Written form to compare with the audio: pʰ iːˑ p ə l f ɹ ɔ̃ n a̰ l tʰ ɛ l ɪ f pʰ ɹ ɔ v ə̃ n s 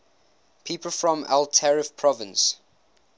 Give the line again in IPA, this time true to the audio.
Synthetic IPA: pʰ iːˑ p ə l f ɹ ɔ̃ m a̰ l tʰ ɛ ɹ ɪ f pʰ ɹ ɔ v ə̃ n s

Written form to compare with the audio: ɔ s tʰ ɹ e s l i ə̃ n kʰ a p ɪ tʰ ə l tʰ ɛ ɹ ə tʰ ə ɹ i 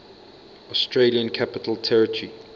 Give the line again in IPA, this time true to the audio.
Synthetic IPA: ɔ s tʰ ɹ e l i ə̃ n kʰ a p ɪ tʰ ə l tʰ ɛ ɹ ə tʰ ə ɹ i

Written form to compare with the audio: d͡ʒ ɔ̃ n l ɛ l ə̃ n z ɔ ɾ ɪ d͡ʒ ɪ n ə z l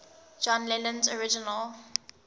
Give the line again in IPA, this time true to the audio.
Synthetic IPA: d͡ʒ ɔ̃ n l ɛ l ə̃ n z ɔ ɹ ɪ d͡ʒ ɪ n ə l

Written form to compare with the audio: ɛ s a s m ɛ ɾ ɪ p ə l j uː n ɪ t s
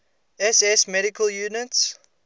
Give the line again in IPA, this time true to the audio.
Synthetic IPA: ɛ s ɛ s m ɛ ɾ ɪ k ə l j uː n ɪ t s

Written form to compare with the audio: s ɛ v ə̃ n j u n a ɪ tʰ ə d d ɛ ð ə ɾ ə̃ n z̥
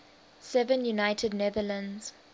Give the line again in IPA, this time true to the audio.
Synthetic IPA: s ɛ v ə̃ n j u n a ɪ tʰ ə d n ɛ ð ə l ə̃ n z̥

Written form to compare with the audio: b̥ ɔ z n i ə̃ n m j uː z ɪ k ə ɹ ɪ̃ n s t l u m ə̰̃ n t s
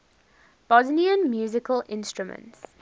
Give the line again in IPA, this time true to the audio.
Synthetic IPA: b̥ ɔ z n i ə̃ n m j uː z ɪ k ə l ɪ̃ n s t ɹ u m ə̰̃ n t s

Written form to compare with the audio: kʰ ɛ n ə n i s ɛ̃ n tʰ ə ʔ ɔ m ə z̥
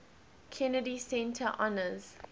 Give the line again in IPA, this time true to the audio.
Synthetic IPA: kʰ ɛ n ə d i s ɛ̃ n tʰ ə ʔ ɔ n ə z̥

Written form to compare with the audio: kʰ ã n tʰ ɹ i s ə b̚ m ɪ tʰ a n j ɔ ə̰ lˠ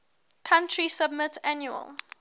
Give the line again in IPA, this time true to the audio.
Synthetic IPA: kʰ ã n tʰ ɹ i s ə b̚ m ɪ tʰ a n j u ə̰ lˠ

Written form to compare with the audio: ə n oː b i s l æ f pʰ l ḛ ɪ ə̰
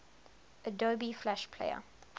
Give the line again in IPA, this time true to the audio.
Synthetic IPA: ə d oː b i f l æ ʃ pʰ l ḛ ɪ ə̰

